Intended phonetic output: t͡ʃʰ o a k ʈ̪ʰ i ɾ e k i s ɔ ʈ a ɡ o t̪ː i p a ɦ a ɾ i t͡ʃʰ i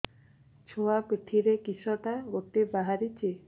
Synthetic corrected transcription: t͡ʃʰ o a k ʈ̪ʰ i ɾ e k i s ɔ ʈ a ɡ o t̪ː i b a ɦ a ɾ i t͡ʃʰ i